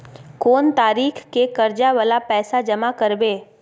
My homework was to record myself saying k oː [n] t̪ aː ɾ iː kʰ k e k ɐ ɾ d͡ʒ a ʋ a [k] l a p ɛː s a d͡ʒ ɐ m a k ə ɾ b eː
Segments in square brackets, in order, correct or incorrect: correct, incorrect

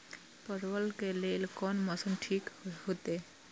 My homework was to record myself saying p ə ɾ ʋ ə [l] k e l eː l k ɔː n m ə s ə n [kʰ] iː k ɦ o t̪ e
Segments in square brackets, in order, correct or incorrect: correct, incorrect

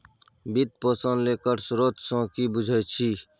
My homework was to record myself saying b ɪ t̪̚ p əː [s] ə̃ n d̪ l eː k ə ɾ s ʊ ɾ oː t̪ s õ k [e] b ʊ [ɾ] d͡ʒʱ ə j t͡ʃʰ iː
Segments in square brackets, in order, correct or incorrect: correct, incorrect, incorrect

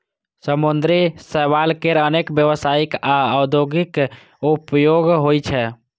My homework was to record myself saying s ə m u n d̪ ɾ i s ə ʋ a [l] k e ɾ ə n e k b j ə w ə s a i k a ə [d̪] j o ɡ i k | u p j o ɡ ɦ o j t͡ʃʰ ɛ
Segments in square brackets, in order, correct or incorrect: correct, correct

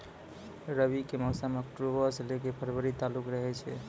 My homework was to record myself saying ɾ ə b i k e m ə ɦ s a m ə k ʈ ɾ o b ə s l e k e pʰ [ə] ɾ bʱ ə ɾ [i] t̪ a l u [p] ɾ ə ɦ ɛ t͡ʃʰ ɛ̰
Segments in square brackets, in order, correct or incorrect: correct, correct, incorrect

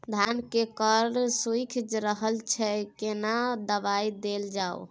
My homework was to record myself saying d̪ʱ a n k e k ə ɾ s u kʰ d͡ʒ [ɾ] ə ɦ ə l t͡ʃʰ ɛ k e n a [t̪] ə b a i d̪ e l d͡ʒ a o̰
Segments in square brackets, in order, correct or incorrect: correct, incorrect

